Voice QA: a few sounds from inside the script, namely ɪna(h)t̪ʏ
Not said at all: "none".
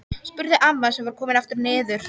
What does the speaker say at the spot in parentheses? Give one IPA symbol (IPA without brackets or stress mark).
f